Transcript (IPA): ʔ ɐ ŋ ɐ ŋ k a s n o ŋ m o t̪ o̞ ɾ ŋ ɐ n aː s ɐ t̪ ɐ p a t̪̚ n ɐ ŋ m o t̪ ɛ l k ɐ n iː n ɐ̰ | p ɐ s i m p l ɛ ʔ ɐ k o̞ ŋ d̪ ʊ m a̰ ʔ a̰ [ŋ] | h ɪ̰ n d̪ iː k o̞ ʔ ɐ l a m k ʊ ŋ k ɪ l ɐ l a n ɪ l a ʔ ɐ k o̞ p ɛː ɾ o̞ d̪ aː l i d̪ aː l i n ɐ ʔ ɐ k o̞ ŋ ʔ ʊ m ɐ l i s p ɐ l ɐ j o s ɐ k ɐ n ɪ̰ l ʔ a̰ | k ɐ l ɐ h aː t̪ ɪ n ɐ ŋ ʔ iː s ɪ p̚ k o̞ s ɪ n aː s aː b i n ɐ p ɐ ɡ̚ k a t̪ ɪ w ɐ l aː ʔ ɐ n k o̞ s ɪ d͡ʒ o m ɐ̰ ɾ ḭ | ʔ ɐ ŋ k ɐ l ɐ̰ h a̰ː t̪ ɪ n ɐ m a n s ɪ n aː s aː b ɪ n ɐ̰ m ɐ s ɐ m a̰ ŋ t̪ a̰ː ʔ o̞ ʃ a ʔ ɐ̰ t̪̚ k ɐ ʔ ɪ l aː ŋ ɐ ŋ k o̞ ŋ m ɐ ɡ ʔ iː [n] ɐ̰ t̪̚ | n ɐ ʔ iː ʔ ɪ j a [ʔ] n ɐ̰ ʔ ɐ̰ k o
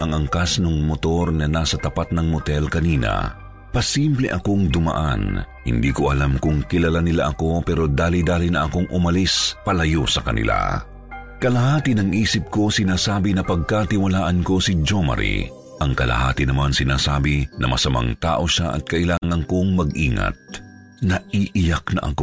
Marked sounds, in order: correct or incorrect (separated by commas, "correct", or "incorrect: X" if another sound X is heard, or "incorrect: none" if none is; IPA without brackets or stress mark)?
incorrect: n, incorrect: ŋ, incorrect: k